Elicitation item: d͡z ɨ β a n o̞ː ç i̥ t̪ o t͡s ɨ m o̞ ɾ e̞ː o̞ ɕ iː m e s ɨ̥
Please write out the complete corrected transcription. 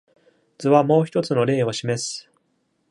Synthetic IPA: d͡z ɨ β a m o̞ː ç i̥ t̪ o t͡s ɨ n o̞ ɾ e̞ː o̞ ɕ i m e s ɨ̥